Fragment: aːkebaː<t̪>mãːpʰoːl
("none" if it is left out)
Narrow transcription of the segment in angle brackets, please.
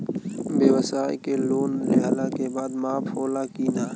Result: d̪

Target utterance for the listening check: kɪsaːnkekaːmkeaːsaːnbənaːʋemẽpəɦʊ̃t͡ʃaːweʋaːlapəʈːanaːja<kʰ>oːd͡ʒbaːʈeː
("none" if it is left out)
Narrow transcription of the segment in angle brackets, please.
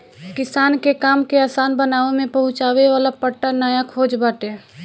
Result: kʰ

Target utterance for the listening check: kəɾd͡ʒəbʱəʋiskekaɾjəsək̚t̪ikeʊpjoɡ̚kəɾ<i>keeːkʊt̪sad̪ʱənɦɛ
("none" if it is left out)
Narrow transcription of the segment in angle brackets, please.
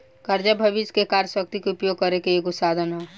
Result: e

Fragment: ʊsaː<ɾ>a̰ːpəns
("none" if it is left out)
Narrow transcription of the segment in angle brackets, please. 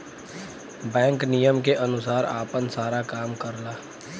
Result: ɾ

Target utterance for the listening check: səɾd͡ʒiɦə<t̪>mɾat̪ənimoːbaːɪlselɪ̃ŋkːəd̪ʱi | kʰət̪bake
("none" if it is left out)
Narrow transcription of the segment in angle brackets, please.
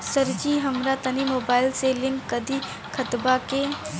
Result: none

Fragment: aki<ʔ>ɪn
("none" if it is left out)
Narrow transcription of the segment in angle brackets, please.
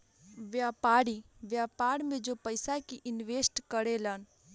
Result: ʔ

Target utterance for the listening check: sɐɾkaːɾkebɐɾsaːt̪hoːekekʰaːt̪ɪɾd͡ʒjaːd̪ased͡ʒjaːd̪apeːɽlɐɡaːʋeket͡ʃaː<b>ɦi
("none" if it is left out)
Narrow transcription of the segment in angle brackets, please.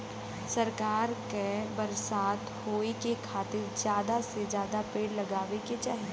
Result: none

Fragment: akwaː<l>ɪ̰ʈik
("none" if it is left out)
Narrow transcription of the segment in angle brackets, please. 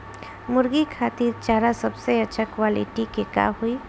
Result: l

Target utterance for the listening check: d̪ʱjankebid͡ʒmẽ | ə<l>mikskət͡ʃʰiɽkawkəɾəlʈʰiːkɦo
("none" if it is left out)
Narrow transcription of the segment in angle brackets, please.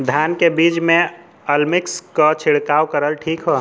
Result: l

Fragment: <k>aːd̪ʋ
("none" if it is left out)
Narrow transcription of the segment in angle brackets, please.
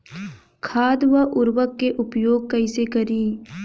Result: kʰ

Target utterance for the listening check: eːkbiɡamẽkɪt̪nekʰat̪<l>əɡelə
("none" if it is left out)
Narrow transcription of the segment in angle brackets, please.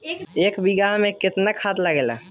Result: l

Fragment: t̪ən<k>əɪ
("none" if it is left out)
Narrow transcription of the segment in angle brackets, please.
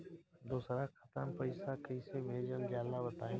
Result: p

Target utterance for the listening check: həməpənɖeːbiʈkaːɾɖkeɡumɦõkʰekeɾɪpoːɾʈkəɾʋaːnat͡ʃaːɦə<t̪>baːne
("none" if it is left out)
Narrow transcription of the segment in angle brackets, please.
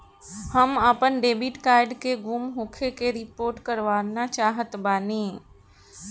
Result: t̪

